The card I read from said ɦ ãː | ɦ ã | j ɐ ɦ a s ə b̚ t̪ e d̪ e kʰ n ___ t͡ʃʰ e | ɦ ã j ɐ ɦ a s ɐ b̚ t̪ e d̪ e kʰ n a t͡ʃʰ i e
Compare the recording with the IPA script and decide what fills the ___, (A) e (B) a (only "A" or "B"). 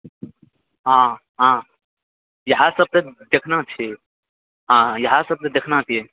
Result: B